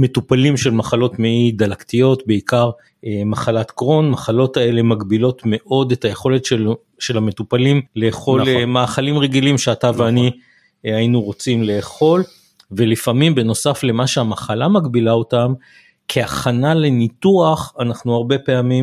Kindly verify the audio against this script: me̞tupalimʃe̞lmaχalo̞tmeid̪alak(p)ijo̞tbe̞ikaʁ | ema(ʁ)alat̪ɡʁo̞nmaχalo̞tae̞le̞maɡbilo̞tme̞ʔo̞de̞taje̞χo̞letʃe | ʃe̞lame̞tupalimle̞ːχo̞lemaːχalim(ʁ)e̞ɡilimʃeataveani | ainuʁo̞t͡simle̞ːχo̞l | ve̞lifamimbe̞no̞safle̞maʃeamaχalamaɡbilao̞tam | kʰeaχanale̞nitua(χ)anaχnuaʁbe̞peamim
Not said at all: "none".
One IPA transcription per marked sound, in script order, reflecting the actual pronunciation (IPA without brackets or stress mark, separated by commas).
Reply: t, χ, ʁ, χ